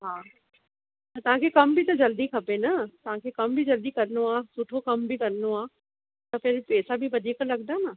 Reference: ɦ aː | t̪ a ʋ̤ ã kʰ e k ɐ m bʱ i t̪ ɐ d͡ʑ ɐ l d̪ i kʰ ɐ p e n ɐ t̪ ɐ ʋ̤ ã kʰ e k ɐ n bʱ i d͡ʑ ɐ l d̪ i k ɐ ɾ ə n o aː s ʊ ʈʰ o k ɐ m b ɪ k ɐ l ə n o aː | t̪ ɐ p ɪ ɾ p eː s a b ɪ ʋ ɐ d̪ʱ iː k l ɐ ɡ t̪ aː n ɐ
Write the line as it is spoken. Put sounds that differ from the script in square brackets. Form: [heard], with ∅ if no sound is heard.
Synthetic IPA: ɦ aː | t̪ [ɐ] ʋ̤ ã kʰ e k ɐ m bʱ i t̪ ɐ d͡ʑ ɐ l d̪ i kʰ ɐ p e n ɐ t̪ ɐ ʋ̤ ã kʰ e k ɐ [m] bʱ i d͡ʑ ɐ l d̪ i k ɐ ɾ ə n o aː s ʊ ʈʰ o k ɐ m b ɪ k ɐ [ɾ] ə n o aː | t̪ ɐ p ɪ ɾ p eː s a b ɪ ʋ ɐ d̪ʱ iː k l ɐ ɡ [d̪] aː n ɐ